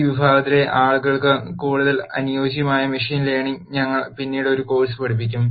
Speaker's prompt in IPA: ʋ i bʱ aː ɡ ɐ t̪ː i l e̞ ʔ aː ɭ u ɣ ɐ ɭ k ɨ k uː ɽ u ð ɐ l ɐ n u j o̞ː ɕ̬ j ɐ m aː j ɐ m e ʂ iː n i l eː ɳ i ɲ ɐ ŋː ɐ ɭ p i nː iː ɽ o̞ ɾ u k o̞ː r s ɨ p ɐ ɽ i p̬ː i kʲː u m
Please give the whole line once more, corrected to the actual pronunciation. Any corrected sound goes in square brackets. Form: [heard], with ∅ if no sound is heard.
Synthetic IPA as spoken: ʋ i bʱ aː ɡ ɐ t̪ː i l e̞ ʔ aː ɭ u ɣ ɐ ɭ k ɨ k uː ɽ u ð ɐ l ɐ n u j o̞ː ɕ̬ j ɐ m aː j ɐ m [i] ʂ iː n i l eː ɳ i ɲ ɐ ŋː ɐ ɭ p i nː iː ɽ o̞ ɾ u k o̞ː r s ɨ p ɐ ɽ i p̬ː i kʲː u m